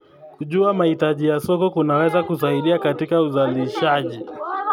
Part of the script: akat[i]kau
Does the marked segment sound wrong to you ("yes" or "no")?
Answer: no